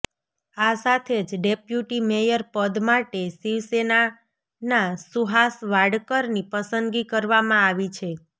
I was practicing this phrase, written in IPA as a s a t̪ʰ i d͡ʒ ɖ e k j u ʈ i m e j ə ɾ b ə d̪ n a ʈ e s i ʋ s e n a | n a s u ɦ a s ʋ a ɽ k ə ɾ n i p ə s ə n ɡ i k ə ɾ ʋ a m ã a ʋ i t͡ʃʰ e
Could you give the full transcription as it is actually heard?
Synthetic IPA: a s a t̪ʰ e d͡ʒ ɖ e p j u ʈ i m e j ə ɾ p ə d̪ m a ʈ e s i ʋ s e n a | n a s u ɦ a s ʋ a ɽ k ə ɾ n i p ə s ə n ɡ i k ə ɾ ʋ a m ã a ʋ i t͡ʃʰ e